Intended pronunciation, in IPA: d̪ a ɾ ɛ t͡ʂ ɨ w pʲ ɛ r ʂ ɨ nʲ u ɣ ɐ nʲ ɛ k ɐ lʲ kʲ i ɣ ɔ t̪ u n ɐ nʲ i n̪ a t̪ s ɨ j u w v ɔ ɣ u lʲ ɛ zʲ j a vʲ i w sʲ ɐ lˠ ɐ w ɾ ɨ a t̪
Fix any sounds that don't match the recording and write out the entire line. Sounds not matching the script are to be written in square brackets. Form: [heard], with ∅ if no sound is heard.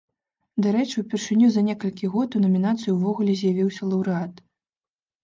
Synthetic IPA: d̪ a ɾ ɛ t͡ʂ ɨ w pʲ ɛ r ʂ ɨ nʲ u [z] ɐ nʲ ɛ k ɐ lʲ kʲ i ɣ ɔ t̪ u n ɐ [mʲ] i n̪ a t̪ s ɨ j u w v ɔ ɣ u lʲ ɛ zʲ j a vʲ i w sʲ ɐ lˠ ɐ w ɾ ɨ a t̪